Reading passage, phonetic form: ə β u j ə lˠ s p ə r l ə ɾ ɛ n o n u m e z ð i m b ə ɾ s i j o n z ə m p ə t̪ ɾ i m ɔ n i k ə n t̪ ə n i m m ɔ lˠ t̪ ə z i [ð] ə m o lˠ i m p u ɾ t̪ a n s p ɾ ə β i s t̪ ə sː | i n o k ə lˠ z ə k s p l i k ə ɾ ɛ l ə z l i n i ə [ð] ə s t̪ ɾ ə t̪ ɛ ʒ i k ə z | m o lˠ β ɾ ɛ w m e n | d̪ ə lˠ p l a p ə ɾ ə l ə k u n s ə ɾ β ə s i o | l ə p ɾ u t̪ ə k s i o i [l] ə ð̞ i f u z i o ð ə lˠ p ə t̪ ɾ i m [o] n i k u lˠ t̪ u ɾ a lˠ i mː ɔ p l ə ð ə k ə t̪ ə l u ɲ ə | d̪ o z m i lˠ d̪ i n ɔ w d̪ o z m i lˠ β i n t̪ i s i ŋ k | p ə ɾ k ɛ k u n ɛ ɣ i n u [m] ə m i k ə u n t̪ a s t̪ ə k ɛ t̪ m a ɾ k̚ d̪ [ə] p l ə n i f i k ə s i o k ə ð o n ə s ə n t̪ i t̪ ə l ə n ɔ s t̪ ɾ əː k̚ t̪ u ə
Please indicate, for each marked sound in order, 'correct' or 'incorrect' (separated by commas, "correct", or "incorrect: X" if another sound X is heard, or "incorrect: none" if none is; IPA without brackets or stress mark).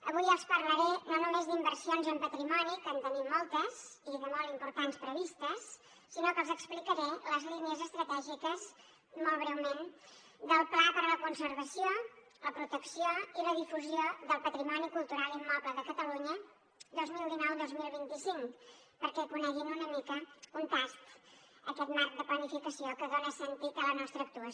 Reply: correct, incorrect: z, correct, incorrect: ɔ, incorrect: n, correct